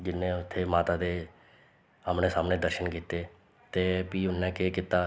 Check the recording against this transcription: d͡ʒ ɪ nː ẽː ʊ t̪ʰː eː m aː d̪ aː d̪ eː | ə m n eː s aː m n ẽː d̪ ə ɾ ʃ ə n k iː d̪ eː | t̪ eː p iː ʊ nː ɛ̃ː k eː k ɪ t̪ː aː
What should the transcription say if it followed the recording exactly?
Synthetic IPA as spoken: d͡ʒ ɪ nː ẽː ʊ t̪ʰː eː m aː t̪ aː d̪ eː | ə m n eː s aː m n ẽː d̪ ə ɾ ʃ ə n k iː t̪ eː | t̪ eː p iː ʊ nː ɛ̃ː k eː k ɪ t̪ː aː